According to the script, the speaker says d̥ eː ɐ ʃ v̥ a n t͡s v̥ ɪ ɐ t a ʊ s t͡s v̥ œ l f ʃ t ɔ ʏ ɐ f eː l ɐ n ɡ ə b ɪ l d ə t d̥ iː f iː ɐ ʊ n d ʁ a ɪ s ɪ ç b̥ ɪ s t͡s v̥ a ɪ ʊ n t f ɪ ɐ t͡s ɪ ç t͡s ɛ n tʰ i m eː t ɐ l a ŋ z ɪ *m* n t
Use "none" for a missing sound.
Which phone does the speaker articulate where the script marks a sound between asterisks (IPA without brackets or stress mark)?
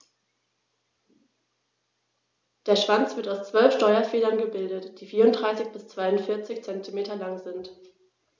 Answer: none